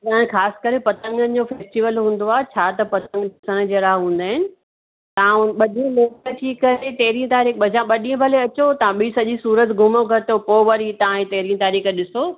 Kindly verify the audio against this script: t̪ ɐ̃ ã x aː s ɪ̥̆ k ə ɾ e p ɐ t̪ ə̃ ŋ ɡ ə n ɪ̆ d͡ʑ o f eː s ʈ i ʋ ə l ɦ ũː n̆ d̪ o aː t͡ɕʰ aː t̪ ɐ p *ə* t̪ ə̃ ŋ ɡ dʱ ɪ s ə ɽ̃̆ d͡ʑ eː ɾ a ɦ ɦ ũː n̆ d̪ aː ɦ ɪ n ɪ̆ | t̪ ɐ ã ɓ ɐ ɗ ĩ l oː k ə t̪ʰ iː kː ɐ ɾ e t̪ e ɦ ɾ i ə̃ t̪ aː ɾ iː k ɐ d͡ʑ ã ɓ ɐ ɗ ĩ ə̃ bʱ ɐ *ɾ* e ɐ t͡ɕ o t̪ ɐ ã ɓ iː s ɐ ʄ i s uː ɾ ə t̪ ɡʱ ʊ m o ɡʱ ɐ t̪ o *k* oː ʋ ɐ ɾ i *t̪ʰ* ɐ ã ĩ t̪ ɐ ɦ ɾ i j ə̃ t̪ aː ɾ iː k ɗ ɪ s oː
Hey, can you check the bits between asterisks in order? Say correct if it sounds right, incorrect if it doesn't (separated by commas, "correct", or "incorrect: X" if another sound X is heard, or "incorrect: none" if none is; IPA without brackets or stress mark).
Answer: incorrect: ɐ, incorrect: l, incorrect: p, incorrect: t̪